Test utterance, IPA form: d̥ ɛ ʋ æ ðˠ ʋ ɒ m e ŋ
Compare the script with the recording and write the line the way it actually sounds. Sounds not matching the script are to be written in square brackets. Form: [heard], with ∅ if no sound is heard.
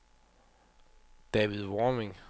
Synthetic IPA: d̥ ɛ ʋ [i] ðˠ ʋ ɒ m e ŋ

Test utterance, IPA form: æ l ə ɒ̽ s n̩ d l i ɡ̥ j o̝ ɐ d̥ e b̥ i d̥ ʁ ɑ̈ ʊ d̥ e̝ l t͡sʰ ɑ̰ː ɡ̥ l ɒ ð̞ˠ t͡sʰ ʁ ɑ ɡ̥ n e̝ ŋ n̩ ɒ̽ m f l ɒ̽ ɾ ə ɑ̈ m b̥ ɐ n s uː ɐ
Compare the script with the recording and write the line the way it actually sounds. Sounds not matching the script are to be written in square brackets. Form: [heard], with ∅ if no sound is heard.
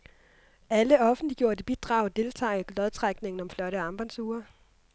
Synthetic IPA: æ l ə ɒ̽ [f] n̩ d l i ɡ̥ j o̝ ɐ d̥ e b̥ i d̥ ʁ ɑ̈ ʊ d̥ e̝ l t͡sʰ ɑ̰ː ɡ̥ l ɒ ð̞ˠ t͡sʰ ʁ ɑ ɡ̥ n e̝ ŋ n̩ ɒ̽ m f l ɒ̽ ɾ ə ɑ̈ m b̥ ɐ n s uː ɐ

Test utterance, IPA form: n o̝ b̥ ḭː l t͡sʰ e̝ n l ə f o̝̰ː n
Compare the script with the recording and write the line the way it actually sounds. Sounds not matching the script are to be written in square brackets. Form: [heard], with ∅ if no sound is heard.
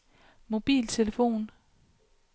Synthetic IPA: [m] o̝ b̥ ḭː l t͡sʰ e̝ [∅] l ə f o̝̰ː n

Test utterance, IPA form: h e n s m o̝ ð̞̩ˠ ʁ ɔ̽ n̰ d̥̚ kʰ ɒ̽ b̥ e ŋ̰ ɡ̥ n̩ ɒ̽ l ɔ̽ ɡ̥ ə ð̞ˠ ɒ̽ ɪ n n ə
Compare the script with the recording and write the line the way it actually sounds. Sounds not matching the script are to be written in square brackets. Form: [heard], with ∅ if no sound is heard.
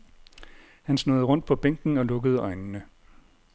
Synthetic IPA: h [æ] n s [n] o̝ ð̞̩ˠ ʁ ɔ̽ n̰ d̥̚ [pʰ] ɒ̽ b̥ e ŋ̰ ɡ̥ n̩ ɒ̽ l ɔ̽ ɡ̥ ə ð̞ˠ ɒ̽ ɪ n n ə

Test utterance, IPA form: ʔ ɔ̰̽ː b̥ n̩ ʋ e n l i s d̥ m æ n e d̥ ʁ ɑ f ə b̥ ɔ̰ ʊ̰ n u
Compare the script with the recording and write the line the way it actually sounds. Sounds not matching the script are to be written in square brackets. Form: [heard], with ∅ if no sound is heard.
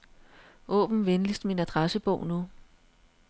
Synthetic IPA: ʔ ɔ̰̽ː b̥ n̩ ʋ e n l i s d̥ m [i] n [æ] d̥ ʁ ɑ [s] ə b̥ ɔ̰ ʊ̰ n u

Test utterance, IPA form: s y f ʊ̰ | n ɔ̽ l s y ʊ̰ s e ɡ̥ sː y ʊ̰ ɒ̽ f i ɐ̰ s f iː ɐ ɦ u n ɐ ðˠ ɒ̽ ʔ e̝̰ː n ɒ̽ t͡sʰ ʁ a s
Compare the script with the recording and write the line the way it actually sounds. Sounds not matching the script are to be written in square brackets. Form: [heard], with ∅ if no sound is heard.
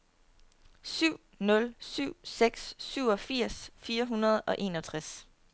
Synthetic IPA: s y [∅] ʊ̰ | n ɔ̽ l s y ʊ̰ s e ɡ̥ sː y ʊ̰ ɒ̽ f i ɐ̰ s f iː ɐ ɦ u n ɐ ðˠ ɒ̽ ʔ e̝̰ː n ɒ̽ t͡sʰ ʁ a s

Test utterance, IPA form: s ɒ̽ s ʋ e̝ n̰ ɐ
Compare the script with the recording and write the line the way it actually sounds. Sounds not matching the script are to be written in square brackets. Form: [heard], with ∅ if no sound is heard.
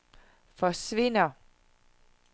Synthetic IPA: [f] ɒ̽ s ʋ e̝ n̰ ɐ

